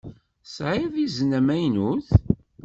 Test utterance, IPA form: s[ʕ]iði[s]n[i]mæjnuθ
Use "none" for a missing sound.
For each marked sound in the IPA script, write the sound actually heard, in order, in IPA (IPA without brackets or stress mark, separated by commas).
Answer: ʕ, z, æ